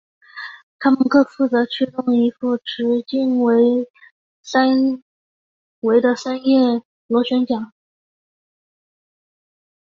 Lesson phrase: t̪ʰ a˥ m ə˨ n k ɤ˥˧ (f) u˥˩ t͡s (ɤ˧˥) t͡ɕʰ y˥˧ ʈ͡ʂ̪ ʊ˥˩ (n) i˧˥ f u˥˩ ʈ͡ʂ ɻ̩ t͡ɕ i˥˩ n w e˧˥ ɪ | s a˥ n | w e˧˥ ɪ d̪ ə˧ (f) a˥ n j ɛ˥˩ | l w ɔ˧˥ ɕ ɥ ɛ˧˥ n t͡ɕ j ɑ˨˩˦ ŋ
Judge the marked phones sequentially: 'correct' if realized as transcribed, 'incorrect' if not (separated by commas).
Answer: correct, correct, incorrect, incorrect